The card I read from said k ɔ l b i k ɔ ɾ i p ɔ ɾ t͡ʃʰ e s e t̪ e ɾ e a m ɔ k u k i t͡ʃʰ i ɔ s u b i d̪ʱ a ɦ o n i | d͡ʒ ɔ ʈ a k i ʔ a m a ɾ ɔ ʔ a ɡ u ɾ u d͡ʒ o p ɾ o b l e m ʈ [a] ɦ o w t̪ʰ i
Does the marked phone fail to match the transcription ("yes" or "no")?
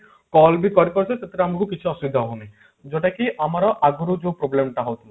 no